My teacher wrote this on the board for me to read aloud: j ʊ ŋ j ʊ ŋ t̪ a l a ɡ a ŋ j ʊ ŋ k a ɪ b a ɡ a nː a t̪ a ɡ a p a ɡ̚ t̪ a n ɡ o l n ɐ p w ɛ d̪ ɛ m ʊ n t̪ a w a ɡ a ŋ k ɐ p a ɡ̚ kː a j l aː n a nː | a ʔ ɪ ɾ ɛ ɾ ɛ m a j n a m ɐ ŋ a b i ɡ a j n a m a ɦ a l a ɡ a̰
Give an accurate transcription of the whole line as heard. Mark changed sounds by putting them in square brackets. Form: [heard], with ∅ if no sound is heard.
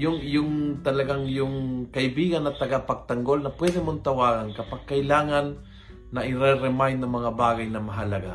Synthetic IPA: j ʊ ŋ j ʊ ŋ t̪ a l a ɡ a ŋ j ʊ ŋ k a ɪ b [i] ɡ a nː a t̪ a ɡ a p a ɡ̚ t̪ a [ŋ] ɡ o l n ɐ p w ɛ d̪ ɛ m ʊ n t̪ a w a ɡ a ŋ k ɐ p a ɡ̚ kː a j l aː [ŋ] a nː | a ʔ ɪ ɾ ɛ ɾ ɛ m a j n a m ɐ ŋ a b [a] ɡ a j n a m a ɦ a l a ɡ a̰